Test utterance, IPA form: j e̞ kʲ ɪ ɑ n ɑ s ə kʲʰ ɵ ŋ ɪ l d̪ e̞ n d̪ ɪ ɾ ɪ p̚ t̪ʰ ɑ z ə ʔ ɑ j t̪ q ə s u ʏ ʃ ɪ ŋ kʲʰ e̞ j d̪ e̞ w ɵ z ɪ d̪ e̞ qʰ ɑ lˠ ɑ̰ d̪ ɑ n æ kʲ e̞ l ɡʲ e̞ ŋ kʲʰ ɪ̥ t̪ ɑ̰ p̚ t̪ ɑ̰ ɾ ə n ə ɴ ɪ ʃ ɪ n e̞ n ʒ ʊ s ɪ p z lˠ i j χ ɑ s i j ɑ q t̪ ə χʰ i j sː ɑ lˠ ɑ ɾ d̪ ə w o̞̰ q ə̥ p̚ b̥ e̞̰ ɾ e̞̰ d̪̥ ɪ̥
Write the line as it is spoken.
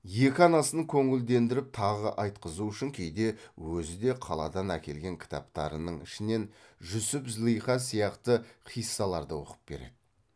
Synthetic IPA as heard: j e̞ kʲ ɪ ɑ n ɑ s ə kʲʰ ɵ ŋ ɪ l d̪ e̞ n d̪ ɪ ɾ ɪ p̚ t̪ʰ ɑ ʁ ə ʔ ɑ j t̪ q ə z u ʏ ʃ ɪ ŋ kʲʰ e̞ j d̪ e̞ w ɵ z ɪ d̪ e̞ qʰ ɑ lˠ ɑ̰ d̪ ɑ n æ kʲ e̞ l ɡʲ e̞ ŋ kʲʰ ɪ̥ t̪ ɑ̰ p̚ t̪ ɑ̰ ɾ ə n ə ɴ ɪ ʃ ɪ n e̞ n ʒ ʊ s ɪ p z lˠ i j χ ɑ s i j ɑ q t̪ ə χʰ i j sː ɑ lˠ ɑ ɾ d̪ ə w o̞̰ q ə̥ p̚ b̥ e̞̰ ɾ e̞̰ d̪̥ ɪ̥